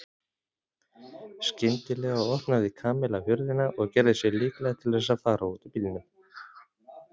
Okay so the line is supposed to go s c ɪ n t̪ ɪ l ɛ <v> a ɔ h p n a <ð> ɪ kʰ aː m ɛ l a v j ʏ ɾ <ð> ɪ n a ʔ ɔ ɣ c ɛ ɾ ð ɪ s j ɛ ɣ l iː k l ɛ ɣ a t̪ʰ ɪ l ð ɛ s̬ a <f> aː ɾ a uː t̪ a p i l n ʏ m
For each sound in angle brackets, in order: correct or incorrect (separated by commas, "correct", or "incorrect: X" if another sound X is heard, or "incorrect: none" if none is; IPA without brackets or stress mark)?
incorrect: ɣ, correct, correct, correct